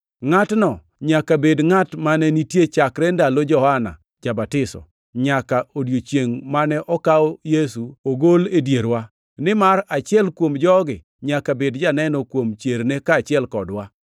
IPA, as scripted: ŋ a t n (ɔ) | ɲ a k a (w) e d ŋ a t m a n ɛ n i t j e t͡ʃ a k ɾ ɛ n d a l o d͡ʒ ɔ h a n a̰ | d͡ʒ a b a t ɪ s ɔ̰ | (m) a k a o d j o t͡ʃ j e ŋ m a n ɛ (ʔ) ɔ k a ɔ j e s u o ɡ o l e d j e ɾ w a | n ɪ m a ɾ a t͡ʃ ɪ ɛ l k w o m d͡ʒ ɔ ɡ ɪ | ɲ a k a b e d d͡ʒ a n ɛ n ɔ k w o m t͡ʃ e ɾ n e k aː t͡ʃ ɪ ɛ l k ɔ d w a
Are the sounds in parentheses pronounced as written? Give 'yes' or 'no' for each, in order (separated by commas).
yes, no, no, yes